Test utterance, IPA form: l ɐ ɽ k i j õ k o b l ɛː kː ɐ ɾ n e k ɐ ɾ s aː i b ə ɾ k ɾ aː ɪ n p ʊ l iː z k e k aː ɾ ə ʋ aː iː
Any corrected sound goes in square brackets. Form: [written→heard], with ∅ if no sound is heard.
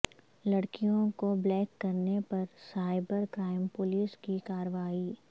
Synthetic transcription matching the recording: l ɐ ɽ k i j õ k o b l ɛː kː ɐ ɾ n e [k→p] ɐ ɾ s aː [i→ɪ] b ə ɾ k ɾ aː ɪ [n→m] p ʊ l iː [z→s] k [e→i] k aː ɾ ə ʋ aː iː

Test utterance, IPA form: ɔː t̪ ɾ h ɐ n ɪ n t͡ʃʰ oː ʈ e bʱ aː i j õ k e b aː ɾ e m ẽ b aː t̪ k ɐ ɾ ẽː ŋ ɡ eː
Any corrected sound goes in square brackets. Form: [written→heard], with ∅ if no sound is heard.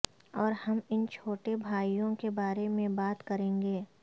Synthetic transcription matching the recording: ɔː [t̪→∅] ɾ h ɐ [n→m] ɪ n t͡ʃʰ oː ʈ e bʱ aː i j õ k e b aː ɾ e m ẽ b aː t̪ k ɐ ɾ ẽː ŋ ɡ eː

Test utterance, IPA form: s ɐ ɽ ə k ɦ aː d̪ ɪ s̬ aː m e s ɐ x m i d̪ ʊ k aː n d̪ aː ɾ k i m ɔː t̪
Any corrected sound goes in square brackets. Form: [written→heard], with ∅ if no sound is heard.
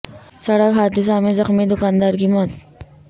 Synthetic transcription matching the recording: s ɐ ɽ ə k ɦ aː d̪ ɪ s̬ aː m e [s→z] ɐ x m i d̪ ʊ k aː n d̪ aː ɾ k i m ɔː t̪

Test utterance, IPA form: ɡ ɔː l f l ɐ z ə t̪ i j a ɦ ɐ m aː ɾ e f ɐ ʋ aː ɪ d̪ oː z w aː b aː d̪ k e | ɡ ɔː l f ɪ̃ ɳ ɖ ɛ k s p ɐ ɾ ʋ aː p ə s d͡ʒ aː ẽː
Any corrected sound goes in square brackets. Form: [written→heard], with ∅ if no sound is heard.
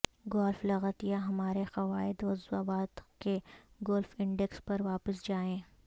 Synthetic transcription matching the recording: ɡ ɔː l f l ɐ [z→ɣ] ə t̪ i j a ɦ ɐ m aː ɾ e [f→x] ɐ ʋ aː ɪ d̪ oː z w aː b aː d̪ k e | ɡ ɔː l f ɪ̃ ɳ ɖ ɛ k s p ɐ ɾ ʋ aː p ə s d͡ʒ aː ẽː

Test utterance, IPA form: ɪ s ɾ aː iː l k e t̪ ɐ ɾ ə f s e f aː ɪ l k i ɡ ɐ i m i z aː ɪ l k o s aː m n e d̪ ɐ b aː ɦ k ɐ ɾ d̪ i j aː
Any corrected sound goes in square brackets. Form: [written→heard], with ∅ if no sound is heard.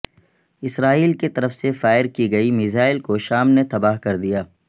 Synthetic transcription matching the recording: ɪ s ɾ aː iː l k e t̪ ɐ ɾ ə f s e f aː ɪ [l→ɾ] k i ɡ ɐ i m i z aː ɪ l k o [s→ʃ] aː m n e [d̪→t̪] ɐ b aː ɦ k ɐ ɾ d̪ i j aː

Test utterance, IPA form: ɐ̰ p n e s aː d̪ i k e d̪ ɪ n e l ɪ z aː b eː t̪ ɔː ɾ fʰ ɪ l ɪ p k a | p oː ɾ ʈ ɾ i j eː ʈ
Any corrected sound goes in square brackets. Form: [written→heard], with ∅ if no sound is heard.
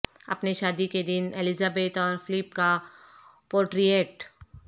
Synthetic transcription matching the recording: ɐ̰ p n e [s→ʃ] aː d̪ i k e d̪ ɪ n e l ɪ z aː b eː t̪ ɔː ɾ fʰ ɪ l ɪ p k a | p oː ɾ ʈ ɾ i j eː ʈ

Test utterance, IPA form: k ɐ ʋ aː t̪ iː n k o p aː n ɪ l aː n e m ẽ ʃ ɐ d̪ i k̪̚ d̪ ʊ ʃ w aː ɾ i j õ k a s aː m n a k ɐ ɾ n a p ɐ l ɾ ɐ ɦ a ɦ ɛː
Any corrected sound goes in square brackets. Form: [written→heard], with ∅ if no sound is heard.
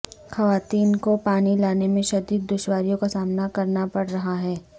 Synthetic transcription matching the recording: [k→x] ɐ ʋ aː t̪ iː n k o p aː n [ɪ→i] l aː n e m ẽ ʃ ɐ d̪ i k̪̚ d̪ ʊ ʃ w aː ɾ i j õ k a s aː m n a k ɐ ɾ n a p ɐ [l→ɽ] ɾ ɐ ɦ a ɦ ɛː

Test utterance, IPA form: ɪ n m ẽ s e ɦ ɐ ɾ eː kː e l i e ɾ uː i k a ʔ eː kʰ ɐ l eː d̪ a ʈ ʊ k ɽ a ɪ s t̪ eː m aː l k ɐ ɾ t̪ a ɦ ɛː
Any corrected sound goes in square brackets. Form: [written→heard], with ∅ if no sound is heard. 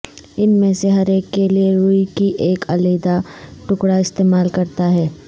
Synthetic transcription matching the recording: ɪ n m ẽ s e ɦ ɐ ɾ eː kː e l i e ɾ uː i k [a→i] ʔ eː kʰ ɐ l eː d̪ a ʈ ʊ k ɽ a ɪ s t̪ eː m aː l k ɐ ɾ t̪ a ɦ ɛː

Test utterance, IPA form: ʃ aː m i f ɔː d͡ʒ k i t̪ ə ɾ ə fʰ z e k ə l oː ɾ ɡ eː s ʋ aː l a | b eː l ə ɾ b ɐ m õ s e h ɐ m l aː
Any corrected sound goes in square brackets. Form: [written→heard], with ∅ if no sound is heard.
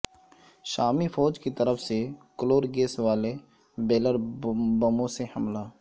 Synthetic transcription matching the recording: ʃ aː m i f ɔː d͡ʒ k i t̪ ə ɾ ə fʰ [z→s] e k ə l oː ɾ ɡ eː s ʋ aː l [a→e] | b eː l ə ɾ b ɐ m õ s e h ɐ m l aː

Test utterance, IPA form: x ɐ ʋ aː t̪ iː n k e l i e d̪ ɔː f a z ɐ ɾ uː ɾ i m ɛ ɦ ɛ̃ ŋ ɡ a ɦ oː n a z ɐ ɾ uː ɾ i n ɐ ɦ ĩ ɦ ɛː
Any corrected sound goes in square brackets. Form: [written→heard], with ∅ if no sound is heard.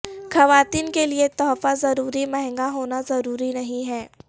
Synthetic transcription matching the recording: x ɐ ʋ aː t̪ iː n k e l i e [d̪→t̪] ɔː f a z ɐ ɾ uː ɾ i m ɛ ɦ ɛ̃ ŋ ɡ a ɦ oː n a z ɐ ɾ uː ɾ i n ɐ ɦ ĩ ɦ ɛː

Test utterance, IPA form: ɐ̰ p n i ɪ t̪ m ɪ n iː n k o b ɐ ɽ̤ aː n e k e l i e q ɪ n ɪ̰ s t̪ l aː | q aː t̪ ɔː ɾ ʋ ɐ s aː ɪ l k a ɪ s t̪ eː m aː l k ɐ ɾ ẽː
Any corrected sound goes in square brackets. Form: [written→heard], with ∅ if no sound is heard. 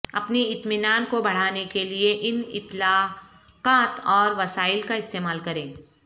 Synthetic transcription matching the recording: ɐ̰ p n i ɪ t̪ m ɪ n [iː→aː] n k o b ɐ ɽ̤ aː n e k e l i e [q→ʔ] ɪ n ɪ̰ [s→∅] t̪ l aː | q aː t̪ ɔː ɾ ʋ ɐ s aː ɪ l k a ɪ s t̪ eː m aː l k ɐ ɾ ẽː

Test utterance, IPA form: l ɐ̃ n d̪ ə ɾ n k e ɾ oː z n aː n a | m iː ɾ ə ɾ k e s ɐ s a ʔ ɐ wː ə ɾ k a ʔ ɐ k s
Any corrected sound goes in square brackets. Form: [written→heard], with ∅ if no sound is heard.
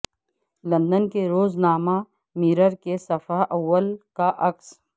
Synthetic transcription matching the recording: l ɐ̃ n d̪ ə [ɾ→∅] n k e ɾ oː z n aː [n→m] a | m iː ɾ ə ɾ k e s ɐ [s→f] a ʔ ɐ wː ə [ɾ→l] k a ʔ ɐ k s

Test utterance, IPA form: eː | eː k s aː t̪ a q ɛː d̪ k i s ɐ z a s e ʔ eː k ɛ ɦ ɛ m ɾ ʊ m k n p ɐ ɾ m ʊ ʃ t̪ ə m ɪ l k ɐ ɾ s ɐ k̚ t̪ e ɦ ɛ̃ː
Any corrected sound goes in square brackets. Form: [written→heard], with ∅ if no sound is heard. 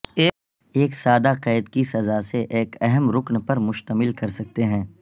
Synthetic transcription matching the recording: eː | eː k s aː [t̪→d̪] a q ɛː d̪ k i s ɐ z a s e ʔ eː k ɛ ɦ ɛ m ɾ ʊ [m→∅] k n p ɐ ɾ m ʊ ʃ t̪ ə m ɪ l k ɐ ɾ s ɐ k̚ t̪ e ɦ ɛ̃ː

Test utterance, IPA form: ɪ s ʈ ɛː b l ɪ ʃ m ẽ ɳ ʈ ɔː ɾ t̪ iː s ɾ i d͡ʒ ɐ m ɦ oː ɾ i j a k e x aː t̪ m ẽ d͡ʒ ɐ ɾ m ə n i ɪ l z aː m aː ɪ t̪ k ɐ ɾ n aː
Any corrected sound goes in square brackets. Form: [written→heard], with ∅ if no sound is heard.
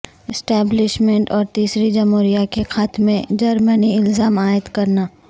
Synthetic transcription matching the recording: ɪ s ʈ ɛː b l ɪ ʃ m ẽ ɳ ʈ ɔː ɾ t̪ iː s ɾ i d͡ʒ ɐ m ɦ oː ɾ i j a k e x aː t̪ m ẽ d͡ʒ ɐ ɾ m ə n i ɪ l z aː m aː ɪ t̪ k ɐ ɾ n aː

